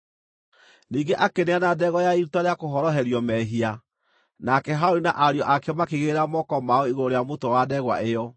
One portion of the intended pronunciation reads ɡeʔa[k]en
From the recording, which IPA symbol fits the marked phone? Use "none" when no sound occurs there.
k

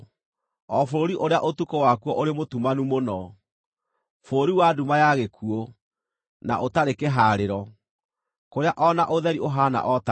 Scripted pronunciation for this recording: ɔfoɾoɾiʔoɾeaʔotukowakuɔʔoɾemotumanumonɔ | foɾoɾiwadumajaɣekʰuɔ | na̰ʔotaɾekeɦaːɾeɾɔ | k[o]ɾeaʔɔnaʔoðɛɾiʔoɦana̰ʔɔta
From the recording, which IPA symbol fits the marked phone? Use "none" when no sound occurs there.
o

